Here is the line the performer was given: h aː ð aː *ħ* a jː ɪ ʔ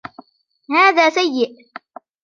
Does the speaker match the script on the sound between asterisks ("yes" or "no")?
no